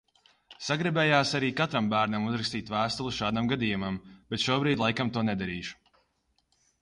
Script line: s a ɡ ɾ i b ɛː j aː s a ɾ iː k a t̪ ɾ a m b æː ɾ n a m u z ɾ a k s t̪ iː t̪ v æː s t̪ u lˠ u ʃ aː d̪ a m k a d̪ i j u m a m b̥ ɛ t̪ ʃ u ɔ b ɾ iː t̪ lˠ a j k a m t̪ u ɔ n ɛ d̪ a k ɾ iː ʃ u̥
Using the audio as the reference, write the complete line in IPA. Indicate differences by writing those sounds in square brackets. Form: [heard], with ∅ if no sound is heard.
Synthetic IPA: s a ɡ ɾ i b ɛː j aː s a ɾ iː k a t̪ ɾ a m b æː ɾ n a m u z ɾ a k s t̪ iː t̪ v æː s t̪ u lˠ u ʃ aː d̪ a m [ɡ] a d̪ i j u m a m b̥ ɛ t̪ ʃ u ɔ b ɾ iː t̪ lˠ a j k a m t̪ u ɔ n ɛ d̪ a [∅] ɾ iː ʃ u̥

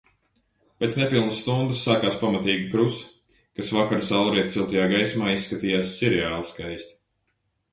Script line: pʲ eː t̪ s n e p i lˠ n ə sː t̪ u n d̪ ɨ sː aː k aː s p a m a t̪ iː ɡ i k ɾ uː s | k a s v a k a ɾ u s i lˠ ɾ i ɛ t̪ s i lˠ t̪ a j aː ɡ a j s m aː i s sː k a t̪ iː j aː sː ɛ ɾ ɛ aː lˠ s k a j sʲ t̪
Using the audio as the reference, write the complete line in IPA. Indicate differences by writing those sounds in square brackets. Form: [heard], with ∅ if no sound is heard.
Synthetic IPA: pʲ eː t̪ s n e p i lˠ n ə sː t̪ u n d̪ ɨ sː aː k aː s p a m a t̪ iː ɡ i k ɾ [u] s | k a s v a k a ɾ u s [a] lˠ ɾ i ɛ t̪ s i lˠ t̪ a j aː ɡ a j s m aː i s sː k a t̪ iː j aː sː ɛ ɾ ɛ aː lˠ s k a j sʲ t̪

